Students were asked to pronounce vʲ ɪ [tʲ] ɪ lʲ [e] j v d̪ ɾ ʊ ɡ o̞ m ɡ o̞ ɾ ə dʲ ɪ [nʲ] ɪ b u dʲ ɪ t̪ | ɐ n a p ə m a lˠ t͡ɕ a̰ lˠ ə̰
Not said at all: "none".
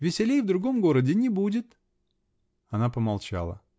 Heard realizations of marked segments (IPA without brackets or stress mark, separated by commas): sʲ, e, nʲ